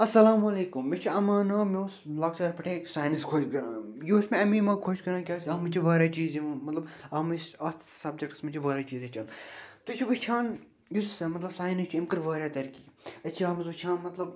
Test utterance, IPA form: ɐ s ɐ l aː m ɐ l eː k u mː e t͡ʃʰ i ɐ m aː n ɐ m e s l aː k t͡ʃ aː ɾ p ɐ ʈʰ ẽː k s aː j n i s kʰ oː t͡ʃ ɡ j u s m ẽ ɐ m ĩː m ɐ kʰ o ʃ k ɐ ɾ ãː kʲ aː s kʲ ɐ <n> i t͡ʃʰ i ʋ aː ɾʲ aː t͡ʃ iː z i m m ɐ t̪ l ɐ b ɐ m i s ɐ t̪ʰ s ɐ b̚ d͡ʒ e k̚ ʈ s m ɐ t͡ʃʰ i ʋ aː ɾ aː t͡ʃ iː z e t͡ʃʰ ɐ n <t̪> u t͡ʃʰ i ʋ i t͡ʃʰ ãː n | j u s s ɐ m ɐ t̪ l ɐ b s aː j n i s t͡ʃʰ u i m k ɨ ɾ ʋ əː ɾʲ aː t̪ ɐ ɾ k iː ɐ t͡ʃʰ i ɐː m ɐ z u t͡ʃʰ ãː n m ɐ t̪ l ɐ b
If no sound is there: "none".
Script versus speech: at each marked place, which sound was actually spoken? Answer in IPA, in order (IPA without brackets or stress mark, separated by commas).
m, t̪